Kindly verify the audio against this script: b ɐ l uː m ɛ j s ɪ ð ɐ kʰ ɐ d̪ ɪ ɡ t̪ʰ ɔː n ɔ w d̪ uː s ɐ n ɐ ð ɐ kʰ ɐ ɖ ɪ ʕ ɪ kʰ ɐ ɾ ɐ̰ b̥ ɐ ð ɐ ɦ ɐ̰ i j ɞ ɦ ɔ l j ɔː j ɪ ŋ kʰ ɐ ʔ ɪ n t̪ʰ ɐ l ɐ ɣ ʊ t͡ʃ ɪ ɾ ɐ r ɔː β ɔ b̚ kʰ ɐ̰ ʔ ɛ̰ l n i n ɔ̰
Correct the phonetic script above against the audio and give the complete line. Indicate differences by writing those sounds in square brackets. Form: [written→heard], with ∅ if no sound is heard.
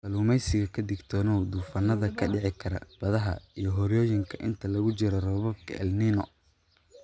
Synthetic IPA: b ɐ l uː m ɛ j s ɪ [ð→ɣ] ɐ kʰ ɐ d̪ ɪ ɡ t̪ʰ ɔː n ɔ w d̪ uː [s→f] ɐ n ɐ ð ɐ kʰ ɐ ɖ ɪ ʕ ɪ kʰ ɐ ɾ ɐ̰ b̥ ɐ ð ɐ ɦ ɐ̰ i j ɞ ɦ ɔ [l→ɾ] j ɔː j ɪ ŋ kʰ ɐ ʔ ɪ n t̪ʰ ɐ l ɐ ɣ ʊ t͡ʃ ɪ ɾ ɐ r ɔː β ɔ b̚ kʰ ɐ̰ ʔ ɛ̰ l n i n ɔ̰